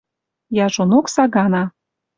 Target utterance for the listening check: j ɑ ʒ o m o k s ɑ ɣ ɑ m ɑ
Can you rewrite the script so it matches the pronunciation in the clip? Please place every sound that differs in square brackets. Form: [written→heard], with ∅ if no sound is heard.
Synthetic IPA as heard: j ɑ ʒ o [m→n] o k s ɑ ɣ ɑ [m→n] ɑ